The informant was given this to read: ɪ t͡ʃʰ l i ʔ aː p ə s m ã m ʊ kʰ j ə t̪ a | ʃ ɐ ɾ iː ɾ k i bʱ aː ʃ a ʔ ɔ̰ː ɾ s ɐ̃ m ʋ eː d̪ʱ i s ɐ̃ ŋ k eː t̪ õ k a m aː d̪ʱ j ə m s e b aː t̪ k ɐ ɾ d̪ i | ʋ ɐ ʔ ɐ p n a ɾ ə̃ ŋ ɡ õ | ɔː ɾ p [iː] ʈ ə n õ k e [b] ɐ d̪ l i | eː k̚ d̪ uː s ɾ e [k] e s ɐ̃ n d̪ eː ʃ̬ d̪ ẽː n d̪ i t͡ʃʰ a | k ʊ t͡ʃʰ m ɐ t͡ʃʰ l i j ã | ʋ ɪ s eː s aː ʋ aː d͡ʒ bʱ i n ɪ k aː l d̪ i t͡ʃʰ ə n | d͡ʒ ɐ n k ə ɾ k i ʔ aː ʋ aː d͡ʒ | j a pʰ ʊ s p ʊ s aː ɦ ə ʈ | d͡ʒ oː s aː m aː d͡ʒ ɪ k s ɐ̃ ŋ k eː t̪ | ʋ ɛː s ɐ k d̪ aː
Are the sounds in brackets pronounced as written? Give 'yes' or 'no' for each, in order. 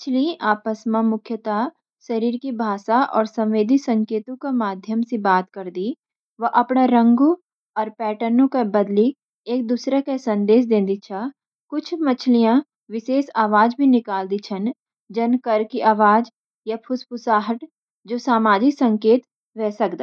no, yes, yes

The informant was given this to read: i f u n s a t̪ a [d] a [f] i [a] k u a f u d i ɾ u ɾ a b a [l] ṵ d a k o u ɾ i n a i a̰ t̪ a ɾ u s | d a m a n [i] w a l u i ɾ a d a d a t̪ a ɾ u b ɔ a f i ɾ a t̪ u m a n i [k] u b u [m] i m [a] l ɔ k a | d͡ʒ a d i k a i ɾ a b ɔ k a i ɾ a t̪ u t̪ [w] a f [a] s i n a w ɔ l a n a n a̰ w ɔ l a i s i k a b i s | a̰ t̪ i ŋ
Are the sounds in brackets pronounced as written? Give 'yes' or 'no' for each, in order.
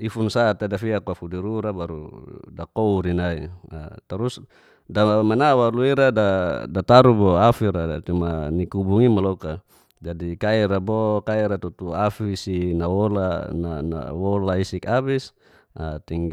yes, yes, yes, no, no, yes, no, yes, no, no

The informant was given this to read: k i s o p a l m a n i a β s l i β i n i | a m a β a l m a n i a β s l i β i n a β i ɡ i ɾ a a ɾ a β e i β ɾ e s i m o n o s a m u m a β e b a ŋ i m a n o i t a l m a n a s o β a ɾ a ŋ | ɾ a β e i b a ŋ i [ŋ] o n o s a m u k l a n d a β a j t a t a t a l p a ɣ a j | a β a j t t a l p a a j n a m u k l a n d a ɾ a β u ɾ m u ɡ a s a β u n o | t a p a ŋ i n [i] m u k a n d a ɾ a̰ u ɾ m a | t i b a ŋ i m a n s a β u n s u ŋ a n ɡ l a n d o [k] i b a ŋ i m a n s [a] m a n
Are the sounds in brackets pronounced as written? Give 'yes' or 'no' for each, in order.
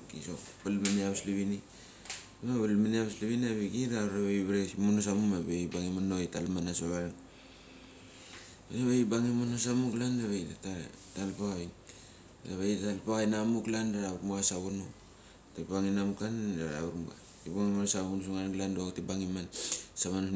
no, no, no, yes

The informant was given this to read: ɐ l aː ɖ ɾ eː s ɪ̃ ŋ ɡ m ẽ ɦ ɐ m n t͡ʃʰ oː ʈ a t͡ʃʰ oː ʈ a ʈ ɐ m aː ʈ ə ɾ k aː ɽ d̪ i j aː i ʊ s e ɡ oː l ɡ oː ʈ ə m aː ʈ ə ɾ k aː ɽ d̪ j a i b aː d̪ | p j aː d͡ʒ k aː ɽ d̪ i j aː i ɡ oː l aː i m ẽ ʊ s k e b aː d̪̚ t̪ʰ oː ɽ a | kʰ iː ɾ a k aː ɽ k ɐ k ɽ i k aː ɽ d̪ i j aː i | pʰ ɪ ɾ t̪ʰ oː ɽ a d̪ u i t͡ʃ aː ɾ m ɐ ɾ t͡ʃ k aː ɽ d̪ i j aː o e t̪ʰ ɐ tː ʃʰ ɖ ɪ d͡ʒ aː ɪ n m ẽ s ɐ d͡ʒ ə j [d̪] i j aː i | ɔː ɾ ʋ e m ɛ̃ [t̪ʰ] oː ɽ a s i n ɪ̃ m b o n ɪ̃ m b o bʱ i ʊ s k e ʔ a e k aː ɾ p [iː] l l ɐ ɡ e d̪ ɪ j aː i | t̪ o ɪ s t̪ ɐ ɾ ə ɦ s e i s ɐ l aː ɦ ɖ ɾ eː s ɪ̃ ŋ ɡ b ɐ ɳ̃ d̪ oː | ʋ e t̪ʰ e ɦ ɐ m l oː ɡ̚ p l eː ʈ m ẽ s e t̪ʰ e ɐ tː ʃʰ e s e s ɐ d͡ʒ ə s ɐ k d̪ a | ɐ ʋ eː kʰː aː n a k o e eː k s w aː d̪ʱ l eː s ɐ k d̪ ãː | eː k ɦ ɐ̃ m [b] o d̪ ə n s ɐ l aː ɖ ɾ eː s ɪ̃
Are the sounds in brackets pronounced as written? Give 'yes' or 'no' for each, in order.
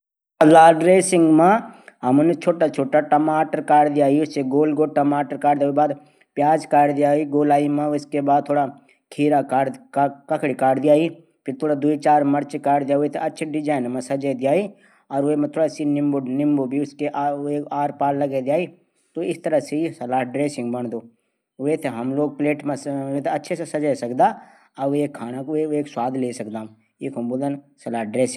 yes, yes, no, yes

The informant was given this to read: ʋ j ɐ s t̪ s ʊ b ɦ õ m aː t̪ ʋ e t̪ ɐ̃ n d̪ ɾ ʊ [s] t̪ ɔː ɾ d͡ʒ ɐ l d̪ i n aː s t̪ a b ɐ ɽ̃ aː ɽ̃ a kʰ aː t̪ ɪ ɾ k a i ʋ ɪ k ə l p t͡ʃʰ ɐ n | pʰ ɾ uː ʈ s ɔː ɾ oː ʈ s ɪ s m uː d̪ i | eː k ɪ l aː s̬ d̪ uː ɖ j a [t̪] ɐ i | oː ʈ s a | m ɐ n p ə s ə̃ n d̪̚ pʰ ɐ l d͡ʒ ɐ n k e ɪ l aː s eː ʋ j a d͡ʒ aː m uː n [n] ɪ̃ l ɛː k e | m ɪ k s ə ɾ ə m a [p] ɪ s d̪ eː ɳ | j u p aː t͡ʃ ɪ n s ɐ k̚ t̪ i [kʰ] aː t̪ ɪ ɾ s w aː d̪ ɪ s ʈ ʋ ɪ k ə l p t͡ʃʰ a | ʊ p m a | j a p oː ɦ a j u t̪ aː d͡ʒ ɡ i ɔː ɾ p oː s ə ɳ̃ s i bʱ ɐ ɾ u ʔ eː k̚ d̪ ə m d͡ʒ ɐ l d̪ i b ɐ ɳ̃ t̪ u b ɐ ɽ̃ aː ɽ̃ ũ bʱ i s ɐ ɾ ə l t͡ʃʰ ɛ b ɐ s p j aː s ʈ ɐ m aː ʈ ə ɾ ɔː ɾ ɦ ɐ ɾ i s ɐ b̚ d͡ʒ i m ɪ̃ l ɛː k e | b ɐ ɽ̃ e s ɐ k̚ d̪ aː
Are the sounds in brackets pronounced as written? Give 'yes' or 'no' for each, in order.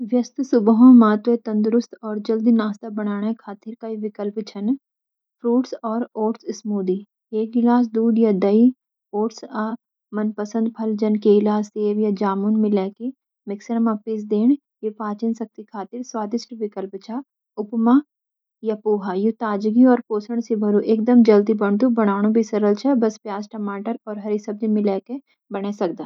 yes, no, no, yes, yes

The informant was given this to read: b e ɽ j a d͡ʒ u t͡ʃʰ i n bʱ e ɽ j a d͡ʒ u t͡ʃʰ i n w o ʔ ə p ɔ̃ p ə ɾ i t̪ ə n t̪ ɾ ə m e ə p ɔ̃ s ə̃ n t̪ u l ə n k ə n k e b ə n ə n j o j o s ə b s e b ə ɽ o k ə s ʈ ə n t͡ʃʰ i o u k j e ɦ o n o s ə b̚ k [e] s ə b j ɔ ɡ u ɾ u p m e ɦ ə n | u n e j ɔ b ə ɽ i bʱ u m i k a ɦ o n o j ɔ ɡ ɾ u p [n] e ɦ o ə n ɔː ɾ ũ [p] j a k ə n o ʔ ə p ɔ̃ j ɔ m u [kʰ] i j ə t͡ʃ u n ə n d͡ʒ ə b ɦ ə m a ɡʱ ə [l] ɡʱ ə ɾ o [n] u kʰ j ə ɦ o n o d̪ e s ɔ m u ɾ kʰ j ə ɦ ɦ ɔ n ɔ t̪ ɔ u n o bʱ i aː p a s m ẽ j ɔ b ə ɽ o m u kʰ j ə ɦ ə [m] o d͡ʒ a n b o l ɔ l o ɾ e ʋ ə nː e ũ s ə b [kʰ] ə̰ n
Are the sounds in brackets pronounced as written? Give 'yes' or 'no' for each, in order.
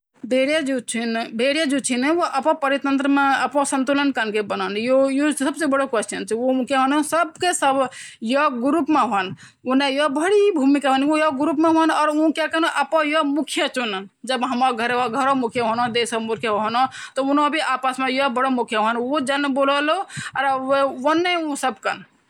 yes, no, no, yes, no, no, no, no

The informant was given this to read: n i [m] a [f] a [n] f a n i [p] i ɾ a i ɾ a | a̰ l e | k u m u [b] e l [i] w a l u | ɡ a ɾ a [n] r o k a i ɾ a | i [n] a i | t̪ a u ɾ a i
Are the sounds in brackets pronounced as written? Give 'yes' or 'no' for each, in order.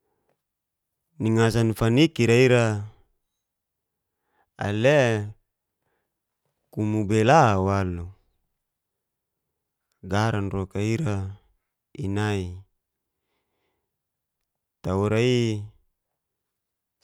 no, no, yes, no, yes, no, yes, yes

